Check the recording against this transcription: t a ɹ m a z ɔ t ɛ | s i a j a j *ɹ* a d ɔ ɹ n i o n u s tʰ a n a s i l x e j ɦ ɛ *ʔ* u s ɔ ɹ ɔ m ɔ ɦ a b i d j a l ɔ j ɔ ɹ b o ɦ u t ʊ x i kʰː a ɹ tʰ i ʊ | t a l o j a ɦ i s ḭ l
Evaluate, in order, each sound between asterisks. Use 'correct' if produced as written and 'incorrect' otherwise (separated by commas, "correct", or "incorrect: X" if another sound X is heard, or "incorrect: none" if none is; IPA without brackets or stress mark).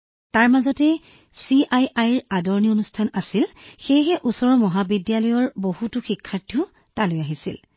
correct, correct